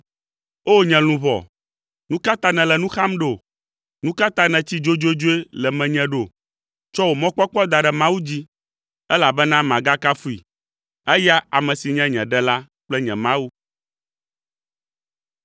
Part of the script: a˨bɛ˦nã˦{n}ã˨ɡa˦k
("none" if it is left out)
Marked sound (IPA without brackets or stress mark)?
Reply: m